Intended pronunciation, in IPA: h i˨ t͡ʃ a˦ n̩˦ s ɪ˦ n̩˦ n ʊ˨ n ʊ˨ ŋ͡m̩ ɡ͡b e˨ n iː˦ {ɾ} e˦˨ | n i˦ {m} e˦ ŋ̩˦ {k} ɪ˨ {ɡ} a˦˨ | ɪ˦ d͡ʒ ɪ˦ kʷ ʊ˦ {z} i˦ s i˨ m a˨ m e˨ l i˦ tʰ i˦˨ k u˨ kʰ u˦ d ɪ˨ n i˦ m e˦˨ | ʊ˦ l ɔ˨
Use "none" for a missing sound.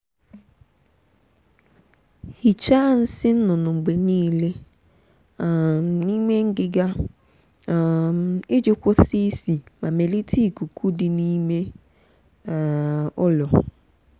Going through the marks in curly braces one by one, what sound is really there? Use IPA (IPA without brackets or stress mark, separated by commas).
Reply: l, m, ɡ, ɡ, s